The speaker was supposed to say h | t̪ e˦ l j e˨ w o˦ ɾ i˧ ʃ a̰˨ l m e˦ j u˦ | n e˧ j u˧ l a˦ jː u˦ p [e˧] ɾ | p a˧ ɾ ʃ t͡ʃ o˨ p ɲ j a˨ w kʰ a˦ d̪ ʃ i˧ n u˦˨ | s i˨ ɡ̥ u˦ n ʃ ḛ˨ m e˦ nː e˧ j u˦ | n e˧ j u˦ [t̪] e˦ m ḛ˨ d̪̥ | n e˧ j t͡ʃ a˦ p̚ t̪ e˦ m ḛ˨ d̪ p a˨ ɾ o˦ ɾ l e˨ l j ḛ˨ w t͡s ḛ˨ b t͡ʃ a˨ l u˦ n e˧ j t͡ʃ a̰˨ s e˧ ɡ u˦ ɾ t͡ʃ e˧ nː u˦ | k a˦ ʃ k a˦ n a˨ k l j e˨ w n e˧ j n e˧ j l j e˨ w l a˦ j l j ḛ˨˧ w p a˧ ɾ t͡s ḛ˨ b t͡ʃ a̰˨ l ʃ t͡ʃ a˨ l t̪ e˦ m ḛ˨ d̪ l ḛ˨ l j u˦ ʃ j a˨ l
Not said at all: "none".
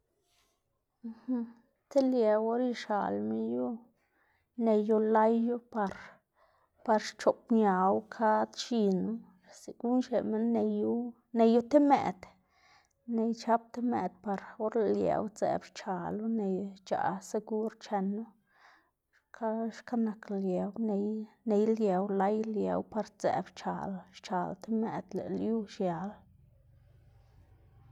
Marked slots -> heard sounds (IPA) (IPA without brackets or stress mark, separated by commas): a˧, t̪